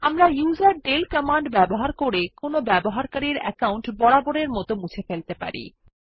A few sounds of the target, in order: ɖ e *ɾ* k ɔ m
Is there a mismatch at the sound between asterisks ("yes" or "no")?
yes